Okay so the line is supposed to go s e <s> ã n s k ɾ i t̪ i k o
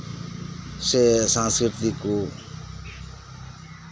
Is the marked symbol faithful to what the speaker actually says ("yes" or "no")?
yes